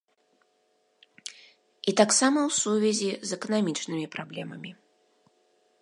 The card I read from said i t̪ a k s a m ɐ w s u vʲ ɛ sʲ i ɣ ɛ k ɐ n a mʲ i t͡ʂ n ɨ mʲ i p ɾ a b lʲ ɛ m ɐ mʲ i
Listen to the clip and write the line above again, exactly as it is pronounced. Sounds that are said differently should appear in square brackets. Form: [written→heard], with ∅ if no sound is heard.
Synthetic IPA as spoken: i t̪ a k s a m ɐ w s u vʲ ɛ [sʲ→zʲ] i [ɣ→z] ɛ k ɐ n a mʲ i t͡ʂ n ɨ mʲ i p ɾ a b lʲ ɛ m ɐ mʲ i